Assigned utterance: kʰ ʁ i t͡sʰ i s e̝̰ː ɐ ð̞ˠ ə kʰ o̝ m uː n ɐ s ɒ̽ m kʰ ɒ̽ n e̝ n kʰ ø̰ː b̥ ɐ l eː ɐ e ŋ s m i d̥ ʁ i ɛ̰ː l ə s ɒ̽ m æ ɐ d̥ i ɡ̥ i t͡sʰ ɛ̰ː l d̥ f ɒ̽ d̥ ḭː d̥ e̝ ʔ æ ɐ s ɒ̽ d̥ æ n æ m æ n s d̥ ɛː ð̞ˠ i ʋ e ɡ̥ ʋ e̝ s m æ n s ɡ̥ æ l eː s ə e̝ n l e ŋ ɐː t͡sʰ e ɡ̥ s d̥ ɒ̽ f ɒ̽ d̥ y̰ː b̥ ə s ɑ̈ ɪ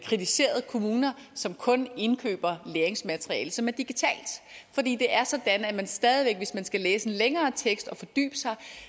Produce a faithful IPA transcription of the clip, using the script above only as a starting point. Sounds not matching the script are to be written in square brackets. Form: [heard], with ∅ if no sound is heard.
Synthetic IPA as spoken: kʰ ʁ i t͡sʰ i s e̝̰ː ɐ ð̞ˠ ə kʰ o̝ m uː n ɐ s ɒ̽ m kʰ [ɔ̽] n e̝ n kʰ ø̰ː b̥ ɐ l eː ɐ e ŋ s m [æ] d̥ ʁ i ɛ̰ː l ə s ɒ̽ m æ ɐ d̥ i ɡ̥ i t͡sʰ ɛ̰ː l d̥ f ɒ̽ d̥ ḭː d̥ e̝ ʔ æ ɐ s ɒ̽ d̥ æ n æ m æ n s d̥ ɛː ð̞ˠ i ʋ e ɡ̥ ʋ e̝ s m æ n s ɡ̥ æ l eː s ə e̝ n l e ŋ ɐː t͡sʰ e ɡ̥ s d̥ ɒ̽ f ɒ̽ d̥ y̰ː b̥ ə s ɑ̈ ɪ